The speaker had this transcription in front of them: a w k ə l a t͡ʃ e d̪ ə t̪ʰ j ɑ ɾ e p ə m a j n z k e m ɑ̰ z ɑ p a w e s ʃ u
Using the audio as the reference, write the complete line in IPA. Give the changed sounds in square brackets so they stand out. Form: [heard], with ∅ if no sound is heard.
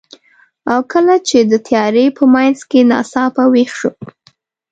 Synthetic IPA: a w k ə l a t͡ʃ e d̪ ə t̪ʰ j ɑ ɾ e p ə m a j n z k e [n] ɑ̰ [s] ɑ p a w e [x] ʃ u